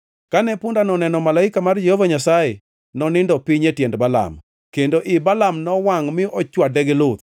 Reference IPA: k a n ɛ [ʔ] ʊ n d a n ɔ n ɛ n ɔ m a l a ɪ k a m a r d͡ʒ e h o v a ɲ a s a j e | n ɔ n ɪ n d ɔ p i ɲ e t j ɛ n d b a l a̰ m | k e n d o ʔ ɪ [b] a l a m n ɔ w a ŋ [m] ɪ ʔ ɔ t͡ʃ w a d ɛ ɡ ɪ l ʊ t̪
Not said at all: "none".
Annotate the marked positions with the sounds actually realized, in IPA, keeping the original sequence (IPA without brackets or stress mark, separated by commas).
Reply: p, b, m